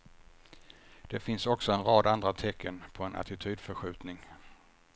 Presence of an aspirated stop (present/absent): present